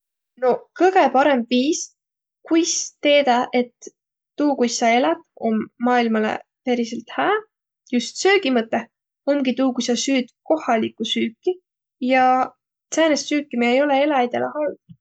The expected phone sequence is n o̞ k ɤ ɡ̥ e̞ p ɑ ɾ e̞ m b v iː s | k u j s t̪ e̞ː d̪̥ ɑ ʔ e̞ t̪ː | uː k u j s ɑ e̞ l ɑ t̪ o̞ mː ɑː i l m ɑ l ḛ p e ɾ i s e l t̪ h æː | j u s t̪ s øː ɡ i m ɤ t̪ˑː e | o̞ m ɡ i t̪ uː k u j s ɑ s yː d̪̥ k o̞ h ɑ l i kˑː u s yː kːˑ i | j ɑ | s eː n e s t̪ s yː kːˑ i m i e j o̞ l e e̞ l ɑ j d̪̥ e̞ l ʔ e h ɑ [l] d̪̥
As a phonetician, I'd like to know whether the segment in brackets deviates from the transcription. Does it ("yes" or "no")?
no